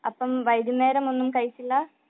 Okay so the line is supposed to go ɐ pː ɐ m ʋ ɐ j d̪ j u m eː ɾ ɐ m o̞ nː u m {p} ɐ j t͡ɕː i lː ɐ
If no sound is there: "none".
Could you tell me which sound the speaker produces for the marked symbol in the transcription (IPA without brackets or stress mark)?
k